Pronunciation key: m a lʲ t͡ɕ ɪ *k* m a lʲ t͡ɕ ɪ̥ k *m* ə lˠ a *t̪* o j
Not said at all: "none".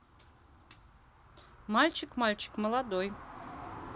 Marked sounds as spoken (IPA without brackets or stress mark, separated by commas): k, m, d̪